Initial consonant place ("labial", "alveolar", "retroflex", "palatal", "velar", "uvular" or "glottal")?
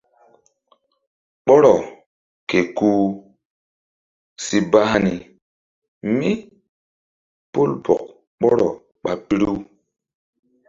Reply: labial